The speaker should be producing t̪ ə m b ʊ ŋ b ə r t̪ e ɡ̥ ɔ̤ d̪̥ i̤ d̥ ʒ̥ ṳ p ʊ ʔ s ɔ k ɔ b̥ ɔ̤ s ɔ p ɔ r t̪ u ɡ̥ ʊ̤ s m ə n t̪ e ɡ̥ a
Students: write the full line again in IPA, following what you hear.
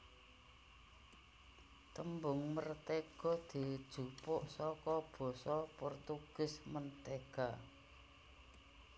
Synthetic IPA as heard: t̪ ə m b ʊ ŋ m ə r t̪ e ɡ̥ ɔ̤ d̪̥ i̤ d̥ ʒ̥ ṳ p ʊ ʔ s ɔ k ɔ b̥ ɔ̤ s ɔ p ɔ r t̪ u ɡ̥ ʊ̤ s m ə n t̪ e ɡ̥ a